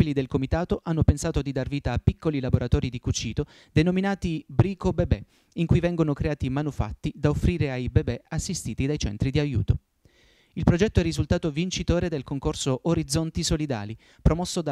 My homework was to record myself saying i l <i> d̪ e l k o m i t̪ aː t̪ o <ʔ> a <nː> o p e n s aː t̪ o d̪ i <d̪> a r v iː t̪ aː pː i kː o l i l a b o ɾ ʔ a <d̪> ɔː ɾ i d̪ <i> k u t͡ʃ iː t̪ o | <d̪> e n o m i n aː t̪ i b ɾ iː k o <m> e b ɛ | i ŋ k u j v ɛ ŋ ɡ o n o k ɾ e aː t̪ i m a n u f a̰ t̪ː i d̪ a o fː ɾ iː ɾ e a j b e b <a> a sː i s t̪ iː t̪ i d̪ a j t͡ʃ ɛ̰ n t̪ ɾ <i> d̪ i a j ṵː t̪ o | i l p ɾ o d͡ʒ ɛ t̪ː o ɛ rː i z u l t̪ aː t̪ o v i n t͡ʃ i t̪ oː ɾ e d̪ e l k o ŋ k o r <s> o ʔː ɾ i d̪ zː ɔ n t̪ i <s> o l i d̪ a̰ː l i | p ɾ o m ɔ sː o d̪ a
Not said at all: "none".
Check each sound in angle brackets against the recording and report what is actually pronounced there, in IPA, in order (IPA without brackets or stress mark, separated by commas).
i, ʔ, nː, d̪, t̪, i, d̪, b, ɛ, i, s, s